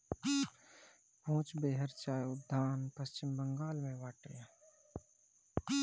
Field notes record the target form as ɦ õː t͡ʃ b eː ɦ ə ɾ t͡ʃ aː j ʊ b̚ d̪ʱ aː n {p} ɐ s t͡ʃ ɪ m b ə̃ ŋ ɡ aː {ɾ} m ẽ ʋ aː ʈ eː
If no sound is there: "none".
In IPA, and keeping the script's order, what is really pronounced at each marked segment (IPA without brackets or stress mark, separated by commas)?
p, l